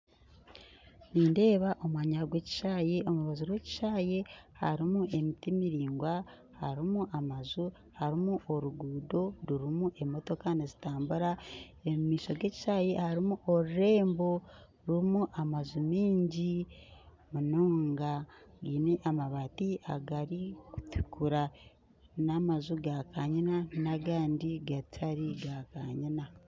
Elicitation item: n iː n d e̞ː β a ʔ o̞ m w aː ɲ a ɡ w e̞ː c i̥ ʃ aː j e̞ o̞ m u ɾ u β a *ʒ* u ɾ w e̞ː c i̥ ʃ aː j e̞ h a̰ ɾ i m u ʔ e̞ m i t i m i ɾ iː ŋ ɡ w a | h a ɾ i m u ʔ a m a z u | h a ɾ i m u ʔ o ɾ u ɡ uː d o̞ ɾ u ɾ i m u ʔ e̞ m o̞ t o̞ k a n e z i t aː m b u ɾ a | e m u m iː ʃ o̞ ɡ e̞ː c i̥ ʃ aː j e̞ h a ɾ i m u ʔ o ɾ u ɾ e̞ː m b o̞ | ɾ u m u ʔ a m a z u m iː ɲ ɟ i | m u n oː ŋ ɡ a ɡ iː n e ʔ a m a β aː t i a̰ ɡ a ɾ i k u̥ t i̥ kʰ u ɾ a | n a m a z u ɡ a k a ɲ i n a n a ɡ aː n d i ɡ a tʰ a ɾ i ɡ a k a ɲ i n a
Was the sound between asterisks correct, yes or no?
no